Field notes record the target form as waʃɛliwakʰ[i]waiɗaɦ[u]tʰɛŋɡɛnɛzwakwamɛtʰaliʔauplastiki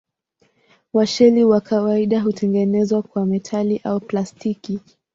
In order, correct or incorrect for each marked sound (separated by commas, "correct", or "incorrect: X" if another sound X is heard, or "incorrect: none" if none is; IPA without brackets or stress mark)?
incorrect: a, correct